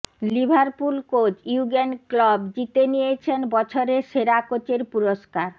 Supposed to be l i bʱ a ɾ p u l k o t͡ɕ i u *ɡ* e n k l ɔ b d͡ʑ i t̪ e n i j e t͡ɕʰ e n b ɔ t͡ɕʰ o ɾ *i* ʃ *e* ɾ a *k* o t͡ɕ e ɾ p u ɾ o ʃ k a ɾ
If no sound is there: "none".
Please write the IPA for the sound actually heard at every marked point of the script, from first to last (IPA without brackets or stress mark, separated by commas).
ɡ, e, e, k